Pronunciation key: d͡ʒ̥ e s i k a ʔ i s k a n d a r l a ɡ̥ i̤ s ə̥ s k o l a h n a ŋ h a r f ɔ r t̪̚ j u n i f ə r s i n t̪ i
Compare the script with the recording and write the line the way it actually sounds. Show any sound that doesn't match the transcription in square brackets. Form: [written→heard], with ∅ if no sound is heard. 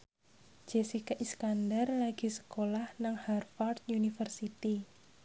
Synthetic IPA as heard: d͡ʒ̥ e s i k a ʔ i s k a n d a r l a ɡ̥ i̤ s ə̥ [s→∅] k o l a h n a ŋ h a r f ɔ r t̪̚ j u n i f ə r s i [n→∅] t̪ i